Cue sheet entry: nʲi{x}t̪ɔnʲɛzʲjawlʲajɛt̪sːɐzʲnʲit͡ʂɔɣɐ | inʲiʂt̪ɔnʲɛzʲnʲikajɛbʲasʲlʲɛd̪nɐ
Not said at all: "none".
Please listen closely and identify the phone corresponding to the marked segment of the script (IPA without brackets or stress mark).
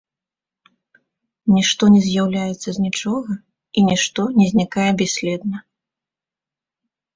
ʂ